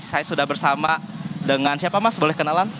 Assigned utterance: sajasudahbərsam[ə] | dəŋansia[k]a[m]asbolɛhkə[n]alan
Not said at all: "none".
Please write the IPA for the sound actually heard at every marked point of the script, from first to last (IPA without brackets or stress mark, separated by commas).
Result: a, p, m, n